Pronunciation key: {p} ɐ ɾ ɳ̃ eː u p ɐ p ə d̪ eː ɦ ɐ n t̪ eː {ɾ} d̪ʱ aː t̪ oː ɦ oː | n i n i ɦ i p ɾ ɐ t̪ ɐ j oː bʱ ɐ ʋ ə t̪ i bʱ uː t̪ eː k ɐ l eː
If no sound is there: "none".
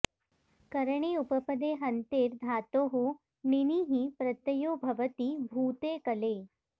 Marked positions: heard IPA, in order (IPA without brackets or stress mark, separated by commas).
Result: k, ɾ